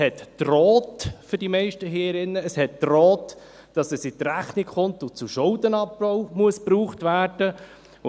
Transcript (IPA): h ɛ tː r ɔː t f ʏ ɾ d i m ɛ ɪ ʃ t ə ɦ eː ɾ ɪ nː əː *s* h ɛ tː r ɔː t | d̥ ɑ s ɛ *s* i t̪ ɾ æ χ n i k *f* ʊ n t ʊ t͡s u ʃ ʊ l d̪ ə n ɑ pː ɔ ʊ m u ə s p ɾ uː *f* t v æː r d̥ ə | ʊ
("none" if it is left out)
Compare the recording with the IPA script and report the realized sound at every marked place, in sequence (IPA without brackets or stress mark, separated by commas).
s, s, χ, χ